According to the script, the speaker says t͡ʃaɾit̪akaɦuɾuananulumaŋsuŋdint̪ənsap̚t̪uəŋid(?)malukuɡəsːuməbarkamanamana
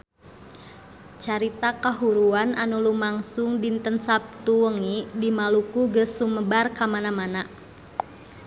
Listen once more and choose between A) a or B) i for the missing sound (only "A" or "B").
B